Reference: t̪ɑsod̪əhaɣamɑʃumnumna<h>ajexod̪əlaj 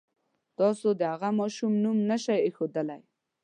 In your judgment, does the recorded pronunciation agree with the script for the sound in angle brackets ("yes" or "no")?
no